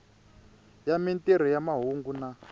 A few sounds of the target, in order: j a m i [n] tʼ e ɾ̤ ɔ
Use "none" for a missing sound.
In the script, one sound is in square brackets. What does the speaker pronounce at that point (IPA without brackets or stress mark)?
n